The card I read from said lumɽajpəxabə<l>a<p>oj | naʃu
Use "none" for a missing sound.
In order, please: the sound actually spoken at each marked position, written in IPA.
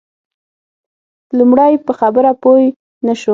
ɾ, p

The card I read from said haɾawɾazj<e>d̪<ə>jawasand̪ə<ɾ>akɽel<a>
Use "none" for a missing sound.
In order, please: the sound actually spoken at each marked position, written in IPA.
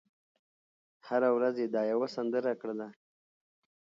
e, ɑ, ɾ, a

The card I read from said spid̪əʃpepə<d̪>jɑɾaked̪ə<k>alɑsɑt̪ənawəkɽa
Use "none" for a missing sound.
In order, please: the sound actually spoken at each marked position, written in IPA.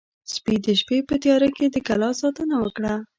t̪, k

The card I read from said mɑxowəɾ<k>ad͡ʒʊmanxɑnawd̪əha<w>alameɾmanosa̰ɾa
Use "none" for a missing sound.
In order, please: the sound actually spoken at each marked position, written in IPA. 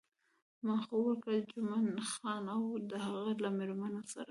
k, ɣ

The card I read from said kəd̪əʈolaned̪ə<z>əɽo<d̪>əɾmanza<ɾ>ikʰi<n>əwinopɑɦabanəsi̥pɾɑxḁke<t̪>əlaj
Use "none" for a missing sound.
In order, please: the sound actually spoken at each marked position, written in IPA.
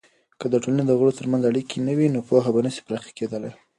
ɣ, t̪, ɽ, n, d̪

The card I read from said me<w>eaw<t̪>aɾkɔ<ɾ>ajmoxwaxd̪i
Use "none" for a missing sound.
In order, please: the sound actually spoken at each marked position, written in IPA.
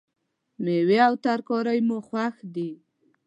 w, t̪, ɾ

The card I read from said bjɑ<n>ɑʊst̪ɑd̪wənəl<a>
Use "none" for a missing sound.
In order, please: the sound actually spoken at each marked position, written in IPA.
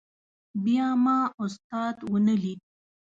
m, i

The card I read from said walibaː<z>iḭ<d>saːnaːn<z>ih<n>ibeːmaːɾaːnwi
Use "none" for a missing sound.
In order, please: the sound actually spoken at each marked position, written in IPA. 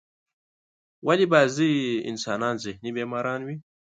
z, n, z, n

